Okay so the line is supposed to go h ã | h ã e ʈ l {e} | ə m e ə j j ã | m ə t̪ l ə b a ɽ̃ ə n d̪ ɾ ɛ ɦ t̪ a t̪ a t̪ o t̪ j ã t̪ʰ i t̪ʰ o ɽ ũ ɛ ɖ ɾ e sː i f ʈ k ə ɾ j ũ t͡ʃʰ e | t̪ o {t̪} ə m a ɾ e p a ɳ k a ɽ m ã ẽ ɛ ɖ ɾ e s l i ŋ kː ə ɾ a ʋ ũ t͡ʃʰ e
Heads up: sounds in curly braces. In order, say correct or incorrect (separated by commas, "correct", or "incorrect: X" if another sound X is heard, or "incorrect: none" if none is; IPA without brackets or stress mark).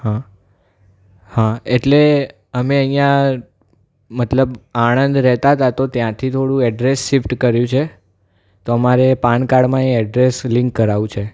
correct, incorrect: none